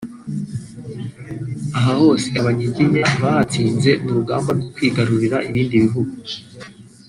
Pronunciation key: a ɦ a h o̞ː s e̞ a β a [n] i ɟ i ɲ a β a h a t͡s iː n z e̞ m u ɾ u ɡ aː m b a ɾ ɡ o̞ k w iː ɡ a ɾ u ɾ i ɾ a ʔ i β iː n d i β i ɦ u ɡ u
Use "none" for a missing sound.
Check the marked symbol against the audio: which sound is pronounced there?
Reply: ɲ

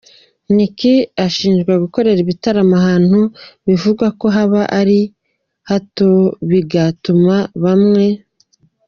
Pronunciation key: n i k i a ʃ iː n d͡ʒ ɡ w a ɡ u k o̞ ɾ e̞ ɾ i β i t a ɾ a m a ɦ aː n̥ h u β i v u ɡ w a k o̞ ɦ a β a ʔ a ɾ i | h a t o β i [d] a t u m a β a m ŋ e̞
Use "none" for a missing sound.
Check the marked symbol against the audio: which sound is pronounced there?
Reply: ɡ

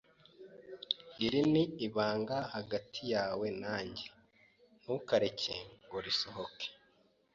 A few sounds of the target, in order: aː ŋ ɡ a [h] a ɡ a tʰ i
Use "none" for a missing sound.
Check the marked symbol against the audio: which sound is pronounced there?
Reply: h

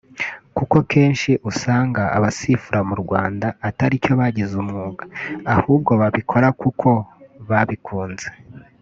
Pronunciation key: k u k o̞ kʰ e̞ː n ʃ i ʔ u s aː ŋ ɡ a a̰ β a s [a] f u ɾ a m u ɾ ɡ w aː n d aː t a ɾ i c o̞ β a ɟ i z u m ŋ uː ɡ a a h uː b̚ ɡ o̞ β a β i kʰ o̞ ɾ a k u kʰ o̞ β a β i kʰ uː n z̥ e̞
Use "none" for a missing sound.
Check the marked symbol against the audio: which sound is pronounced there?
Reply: i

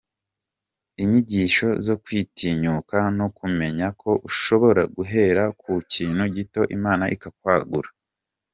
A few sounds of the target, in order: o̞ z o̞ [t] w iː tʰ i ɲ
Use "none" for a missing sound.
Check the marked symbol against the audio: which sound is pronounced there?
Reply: k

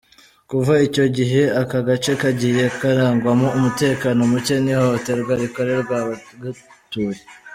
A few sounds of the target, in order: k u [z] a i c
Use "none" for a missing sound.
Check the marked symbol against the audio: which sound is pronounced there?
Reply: v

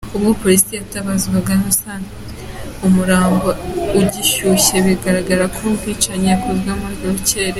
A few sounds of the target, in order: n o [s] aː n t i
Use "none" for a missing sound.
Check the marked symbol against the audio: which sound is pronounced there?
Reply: s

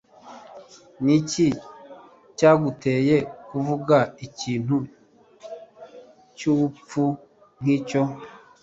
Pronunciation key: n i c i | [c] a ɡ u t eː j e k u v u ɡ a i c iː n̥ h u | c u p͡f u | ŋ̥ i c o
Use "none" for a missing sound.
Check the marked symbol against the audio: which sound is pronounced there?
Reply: c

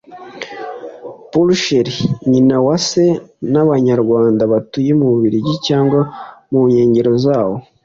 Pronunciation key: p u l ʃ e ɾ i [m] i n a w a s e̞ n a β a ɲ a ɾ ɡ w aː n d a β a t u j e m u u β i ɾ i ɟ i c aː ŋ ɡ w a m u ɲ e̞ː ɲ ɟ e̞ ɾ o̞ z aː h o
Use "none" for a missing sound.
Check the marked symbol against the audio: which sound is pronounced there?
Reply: ɲ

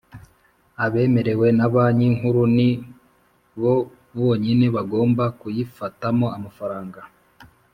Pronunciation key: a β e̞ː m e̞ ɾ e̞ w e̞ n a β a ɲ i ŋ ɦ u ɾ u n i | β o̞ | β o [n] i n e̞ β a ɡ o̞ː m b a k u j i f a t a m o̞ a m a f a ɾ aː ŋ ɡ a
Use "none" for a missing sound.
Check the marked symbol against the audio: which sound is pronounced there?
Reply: ɲ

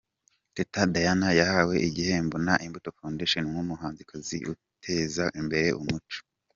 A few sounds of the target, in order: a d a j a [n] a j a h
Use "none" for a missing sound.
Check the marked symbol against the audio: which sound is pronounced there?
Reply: n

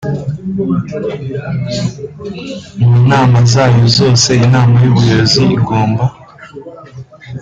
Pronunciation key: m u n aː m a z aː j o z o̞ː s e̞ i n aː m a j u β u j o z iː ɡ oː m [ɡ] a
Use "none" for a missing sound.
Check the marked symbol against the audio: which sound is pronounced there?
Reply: b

